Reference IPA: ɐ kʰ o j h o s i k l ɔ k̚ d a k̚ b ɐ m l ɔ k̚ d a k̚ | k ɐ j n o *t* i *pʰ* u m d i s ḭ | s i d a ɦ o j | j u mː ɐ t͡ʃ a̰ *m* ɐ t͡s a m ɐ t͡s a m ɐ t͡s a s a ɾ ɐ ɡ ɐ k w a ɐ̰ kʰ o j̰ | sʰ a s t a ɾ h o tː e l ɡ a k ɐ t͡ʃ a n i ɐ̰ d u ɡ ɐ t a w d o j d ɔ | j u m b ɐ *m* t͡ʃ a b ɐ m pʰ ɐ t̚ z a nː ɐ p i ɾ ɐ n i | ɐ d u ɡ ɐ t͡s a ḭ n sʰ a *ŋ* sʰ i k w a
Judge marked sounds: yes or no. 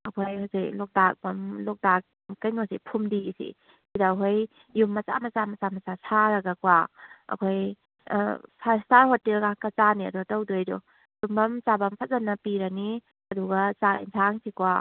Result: no, yes, yes, yes, yes

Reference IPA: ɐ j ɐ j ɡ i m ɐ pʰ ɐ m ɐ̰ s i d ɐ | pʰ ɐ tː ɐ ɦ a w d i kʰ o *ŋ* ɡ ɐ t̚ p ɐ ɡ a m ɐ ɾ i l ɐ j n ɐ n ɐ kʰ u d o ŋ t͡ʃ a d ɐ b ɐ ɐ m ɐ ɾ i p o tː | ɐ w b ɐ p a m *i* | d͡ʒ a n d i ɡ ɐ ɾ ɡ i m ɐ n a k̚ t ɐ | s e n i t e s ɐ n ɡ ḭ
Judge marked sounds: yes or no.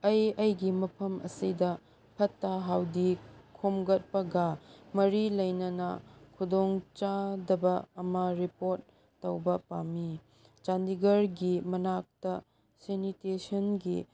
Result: no, yes

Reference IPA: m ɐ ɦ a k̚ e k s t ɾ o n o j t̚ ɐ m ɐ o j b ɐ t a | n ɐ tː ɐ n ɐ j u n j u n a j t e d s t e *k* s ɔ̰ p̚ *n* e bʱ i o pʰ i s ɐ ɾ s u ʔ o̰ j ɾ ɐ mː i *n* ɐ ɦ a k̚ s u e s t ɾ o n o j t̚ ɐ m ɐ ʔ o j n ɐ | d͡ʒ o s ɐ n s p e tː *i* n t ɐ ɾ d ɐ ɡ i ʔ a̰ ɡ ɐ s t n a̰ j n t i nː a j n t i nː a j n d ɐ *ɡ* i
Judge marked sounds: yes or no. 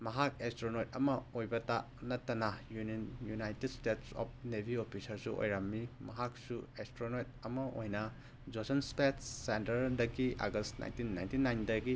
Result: no, yes, no, no, yes

